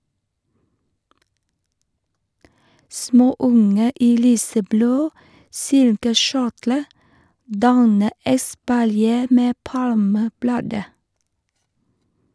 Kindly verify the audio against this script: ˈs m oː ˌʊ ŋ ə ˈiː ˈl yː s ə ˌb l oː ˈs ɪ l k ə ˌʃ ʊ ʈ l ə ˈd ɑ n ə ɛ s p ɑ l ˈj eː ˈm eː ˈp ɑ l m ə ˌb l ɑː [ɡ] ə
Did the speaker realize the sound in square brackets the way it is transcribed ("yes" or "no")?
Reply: no